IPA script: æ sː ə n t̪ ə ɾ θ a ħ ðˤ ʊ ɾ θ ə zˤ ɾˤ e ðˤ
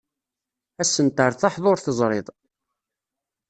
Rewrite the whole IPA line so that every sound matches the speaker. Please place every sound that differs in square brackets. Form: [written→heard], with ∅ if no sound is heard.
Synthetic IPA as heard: æ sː ə n t̪ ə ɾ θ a ħ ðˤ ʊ ɾ θ ə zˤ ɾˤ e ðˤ